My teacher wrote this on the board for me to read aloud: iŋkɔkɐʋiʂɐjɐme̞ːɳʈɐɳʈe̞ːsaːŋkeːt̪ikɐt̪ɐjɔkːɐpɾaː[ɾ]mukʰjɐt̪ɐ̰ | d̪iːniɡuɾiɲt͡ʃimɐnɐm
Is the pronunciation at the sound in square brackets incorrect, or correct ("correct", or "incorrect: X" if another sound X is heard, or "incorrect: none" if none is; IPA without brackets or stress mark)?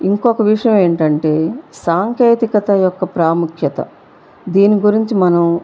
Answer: incorrect: none